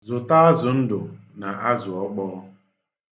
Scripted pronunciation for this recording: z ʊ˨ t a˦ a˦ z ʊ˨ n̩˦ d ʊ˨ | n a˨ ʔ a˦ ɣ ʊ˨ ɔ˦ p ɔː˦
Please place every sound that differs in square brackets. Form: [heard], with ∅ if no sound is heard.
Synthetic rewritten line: z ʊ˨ t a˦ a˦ z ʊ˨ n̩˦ d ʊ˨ | n a˨ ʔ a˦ [z] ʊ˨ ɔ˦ [k͡p] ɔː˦